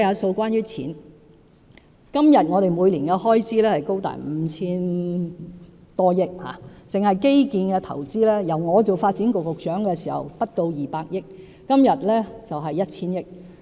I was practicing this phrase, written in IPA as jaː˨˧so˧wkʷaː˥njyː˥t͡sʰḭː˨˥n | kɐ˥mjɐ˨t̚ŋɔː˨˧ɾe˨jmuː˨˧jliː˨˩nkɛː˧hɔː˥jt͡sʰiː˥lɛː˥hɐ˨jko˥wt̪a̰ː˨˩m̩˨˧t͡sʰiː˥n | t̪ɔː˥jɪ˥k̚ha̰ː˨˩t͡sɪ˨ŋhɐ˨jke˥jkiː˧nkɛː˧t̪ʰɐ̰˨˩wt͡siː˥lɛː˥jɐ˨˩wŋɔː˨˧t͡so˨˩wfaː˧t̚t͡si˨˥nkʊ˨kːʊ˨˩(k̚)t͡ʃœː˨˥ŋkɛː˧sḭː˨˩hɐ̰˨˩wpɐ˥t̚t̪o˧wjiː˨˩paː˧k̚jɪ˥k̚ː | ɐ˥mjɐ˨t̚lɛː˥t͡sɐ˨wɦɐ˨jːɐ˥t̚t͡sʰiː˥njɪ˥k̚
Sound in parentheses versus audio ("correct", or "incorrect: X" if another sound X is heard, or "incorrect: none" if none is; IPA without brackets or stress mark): correct